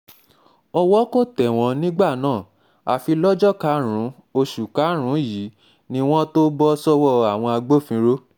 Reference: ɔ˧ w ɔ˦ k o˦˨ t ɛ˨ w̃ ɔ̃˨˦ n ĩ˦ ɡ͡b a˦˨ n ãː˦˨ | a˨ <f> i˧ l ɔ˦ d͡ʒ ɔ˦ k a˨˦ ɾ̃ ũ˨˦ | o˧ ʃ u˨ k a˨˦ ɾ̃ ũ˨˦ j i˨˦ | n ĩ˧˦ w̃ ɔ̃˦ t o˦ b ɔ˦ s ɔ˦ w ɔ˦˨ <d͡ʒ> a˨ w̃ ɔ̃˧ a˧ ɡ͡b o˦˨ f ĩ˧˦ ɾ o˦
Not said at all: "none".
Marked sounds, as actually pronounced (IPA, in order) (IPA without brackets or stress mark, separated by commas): f, none